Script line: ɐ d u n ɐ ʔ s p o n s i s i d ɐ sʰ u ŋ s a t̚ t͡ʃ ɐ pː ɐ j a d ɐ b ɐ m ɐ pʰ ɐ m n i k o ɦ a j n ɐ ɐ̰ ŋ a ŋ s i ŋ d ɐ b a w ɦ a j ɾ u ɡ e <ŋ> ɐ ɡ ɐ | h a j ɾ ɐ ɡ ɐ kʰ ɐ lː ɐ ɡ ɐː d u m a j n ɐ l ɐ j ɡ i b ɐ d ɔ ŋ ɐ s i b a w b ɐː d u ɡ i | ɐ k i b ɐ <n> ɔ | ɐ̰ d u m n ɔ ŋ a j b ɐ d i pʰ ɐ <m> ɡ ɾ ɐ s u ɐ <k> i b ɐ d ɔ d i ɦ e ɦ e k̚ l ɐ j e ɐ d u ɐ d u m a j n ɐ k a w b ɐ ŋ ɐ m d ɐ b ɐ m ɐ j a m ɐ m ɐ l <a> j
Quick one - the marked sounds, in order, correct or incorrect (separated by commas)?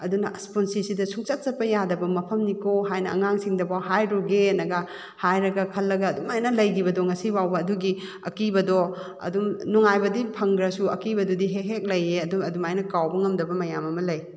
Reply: incorrect, incorrect, incorrect, correct, incorrect